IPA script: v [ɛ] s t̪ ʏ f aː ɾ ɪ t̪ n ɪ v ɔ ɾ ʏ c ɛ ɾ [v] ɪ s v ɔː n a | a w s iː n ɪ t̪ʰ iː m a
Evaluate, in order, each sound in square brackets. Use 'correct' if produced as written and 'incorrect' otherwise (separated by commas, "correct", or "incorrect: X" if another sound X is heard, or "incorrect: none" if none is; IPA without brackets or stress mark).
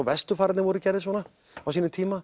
correct, incorrect: ð